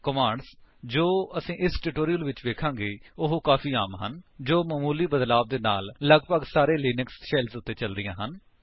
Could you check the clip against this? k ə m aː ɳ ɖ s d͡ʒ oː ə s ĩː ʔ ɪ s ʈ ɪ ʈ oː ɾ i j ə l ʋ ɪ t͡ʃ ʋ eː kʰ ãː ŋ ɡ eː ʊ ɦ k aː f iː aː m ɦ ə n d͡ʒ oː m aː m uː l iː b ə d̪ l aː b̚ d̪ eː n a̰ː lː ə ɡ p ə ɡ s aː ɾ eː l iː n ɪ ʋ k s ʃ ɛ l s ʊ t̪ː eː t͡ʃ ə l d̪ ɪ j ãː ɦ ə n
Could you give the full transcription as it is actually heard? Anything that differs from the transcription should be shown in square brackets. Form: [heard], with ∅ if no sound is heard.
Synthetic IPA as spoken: k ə m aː ɳ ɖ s d͡ʒ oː ə s ĩː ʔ ɪ s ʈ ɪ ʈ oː ɾ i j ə l ʋ ɪ t͡ʃ ʋ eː kʰ ãː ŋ ɡ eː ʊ ɦ k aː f iː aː m ɦ ə n d͡ʒ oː m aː m uː l iː b ə d̪ l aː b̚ d̪ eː n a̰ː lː ə ɡ p ə ɡ s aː ɾ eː l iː n ɪ [∅] k s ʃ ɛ l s ʊ t̪ː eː t͡ʃ ə l d̪ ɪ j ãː ɦ ə n